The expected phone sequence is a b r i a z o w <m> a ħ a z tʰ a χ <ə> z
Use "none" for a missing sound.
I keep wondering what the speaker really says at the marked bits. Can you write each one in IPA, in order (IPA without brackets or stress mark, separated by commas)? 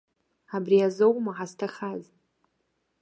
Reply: m, a